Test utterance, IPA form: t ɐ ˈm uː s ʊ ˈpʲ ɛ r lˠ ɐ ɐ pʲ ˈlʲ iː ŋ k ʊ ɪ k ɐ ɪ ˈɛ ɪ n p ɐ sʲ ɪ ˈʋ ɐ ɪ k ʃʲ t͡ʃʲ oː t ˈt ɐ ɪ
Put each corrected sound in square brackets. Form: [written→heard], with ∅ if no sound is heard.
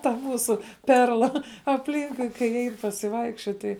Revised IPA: t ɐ ˈm uː s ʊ ˈpʲ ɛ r lˠ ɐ ɐ pʲ ˈlʲ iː ŋ k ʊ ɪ k ɐ ɪ ˈɛ ɪ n p ɐ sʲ ɪ ˈʋ ɐ ɪ k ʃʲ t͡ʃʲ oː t ˈt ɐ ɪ